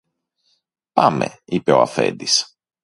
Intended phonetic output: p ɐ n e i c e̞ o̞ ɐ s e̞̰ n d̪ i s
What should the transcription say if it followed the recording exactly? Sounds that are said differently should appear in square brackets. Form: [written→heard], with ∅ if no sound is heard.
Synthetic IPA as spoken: p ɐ [n→m] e i [c→p] e̞ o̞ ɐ [s→f] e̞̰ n d̪ i s